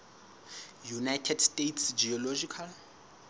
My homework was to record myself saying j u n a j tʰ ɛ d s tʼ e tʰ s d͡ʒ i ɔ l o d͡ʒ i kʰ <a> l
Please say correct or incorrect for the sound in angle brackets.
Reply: correct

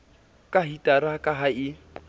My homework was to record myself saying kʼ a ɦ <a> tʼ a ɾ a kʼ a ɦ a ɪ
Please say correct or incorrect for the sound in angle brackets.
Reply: incorrect: i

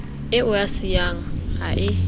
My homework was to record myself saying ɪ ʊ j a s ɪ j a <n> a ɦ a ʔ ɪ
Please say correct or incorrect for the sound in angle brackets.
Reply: incorrect: ŋ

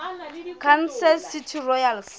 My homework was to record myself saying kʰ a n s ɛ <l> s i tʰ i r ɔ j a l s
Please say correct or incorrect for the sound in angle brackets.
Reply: correct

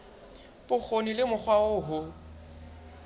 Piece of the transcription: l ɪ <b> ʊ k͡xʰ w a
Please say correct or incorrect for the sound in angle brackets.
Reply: incorrect: m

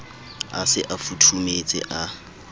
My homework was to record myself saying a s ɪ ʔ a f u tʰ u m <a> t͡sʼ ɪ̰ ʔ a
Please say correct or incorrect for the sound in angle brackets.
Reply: incorrect: e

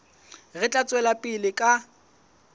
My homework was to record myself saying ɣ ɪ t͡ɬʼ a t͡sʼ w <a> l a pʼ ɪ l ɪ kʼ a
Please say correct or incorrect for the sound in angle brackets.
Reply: incorrect: ɛ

